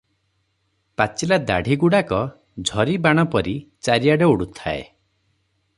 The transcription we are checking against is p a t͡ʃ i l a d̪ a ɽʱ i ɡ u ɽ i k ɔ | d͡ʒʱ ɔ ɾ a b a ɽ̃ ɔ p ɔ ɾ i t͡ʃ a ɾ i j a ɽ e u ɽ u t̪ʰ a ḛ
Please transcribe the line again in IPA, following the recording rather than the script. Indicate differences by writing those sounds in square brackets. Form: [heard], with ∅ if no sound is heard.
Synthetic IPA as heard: p a t͡ʃ i l a d̪ a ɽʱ i ɡ u ɽ [a] k ɔ | d͡ʒʱ ɔ ɾ [i] b a ɽ̃ ɔ p ɔ ɾ i t͡ʃ a ɾ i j a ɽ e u ɽ u t̪ʰ a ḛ